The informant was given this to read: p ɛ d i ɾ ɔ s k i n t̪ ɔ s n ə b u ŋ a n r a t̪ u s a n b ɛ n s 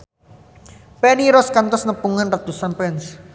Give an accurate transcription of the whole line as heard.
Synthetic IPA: p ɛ n i ɾ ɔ s k a n t̪ ɔ s n ə p u ŋ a n r a t̪ u s a n p ɛ n s

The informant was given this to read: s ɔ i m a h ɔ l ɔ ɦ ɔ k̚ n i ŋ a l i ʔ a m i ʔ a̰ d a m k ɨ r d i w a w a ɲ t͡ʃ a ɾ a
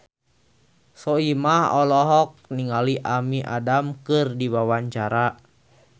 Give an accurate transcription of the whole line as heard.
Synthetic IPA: s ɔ i m a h ɔ l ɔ ɦ ɔ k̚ n i ŋ a l i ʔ a m i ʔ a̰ d a m k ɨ r d i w a w a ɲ t͡ʃ a ɾ a

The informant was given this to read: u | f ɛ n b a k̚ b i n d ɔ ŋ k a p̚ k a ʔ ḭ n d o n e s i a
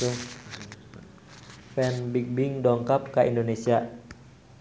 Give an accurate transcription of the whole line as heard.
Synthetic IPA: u | f ɛ n b i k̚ b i ŋ d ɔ ŋ k a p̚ k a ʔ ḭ n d o n e s i a

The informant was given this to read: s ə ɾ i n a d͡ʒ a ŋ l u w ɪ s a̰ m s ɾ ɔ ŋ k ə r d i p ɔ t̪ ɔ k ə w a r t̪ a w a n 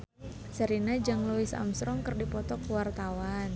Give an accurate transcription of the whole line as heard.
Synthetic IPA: s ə ɾ i n a d͡ʒ a ŋ l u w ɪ s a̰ m s ɾ ɔ ŋ k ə r d i p ɔ t̪ ɔ k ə w a r t̪ a w a n

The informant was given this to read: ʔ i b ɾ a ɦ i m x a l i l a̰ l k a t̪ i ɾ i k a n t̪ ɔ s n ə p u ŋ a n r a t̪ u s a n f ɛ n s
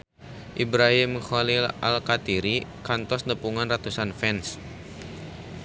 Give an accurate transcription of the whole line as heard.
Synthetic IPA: ʔ i b ɾ a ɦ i m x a l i l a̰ l k a t̪ i ɾ i k a n t̪ ɔ s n ə p u ŋ a n r a t̪ u s a n f ɛ n s

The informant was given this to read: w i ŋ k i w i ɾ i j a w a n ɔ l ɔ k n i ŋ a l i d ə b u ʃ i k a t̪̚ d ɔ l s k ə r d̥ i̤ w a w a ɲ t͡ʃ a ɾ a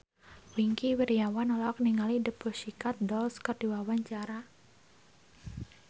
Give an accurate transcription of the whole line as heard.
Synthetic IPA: w i ŋ k i w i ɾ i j a w a n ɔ l ɔ k n i ŋ a l i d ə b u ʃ i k a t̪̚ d ɔ l s k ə r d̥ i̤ w a w a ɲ t͡ʃ a ɾ a

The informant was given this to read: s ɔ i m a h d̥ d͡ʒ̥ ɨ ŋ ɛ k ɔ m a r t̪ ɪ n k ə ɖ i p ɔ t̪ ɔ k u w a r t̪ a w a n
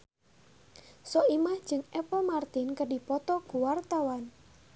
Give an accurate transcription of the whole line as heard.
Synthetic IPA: s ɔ i m a h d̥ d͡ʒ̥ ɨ ŋ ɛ p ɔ m a r t̪ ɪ n k ə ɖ i p ɔ t̪ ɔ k u w a r t̪ a w a n

